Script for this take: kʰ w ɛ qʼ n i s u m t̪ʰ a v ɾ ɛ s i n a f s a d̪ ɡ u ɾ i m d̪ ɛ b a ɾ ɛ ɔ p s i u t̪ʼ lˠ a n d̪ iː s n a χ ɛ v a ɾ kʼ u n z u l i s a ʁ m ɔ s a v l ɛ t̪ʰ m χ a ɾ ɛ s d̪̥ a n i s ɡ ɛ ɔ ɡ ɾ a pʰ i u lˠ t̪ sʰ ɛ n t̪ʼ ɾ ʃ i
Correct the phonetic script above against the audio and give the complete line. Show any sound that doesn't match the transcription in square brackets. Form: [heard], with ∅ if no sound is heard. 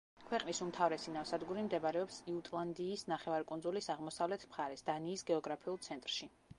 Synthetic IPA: kʰ w ɛ qʼ n i s u m t̪ʰ a v ɾ ɛ s i n a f s a d̪ ɡ u ɾ i m d̪ ɛ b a ɾ ɛ ɔ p s i u t̪ʼ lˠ a n d̪ iː s n a χ ɛ v a ɾ kʼ u n z u l i s a ʁ m ɔ s a v l ɛ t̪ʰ m χ a ɾ ɛ s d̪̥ a n [iː] s ɡ ɛ ɔ ɡ ɾ a pʰ i u lˠ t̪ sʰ ɛ n t̪ʼ ɾ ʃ i